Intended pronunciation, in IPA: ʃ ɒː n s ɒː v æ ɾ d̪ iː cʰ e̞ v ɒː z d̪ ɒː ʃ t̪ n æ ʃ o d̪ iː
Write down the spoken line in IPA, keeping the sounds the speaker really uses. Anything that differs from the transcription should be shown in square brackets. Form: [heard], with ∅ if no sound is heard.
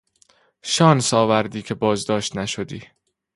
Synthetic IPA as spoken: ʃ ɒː n s ɒː v æ ɾ d̪ iː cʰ e̞ [b] ɒː z d̪ ɒː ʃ t̪ n æ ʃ o d̪ iː